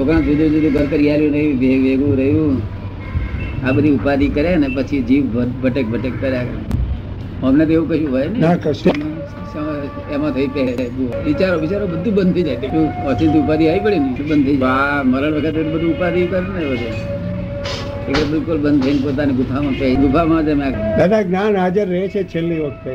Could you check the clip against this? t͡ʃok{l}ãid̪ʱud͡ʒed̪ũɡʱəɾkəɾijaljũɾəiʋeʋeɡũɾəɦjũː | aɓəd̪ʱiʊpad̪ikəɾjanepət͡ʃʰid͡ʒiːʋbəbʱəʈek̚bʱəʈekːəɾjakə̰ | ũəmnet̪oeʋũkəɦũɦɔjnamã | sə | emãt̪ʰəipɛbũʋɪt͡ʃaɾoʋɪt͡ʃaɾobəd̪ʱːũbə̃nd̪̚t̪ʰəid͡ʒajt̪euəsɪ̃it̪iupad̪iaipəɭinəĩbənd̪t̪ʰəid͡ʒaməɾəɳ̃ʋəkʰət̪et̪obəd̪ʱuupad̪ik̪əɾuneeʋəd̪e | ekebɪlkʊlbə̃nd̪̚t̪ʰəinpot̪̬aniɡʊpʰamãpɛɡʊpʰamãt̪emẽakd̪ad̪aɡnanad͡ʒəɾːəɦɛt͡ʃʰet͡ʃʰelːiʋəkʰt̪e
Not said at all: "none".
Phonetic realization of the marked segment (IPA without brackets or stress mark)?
ɾ